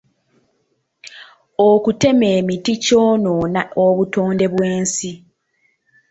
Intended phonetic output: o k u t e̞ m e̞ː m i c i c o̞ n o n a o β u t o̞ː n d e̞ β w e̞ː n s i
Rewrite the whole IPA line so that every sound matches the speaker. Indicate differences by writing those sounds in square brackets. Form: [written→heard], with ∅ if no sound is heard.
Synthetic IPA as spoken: o k u t e̞ m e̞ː m i [c→t] i c o̞ n o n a o β u t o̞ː n d e̞ β w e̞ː n s i